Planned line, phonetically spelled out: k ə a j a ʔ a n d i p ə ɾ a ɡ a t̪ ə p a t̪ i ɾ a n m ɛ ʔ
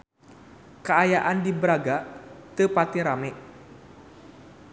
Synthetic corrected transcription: k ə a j a ʔ a n d i b ə ɾ a ɡ a t̪ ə p a t̪ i ɾ a m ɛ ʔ